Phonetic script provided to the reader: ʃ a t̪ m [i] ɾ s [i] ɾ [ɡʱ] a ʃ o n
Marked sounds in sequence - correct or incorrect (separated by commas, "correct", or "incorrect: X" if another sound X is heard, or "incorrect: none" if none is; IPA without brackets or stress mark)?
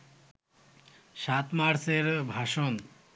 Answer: incorrect: a, incorrect: e, incorrect: bʱ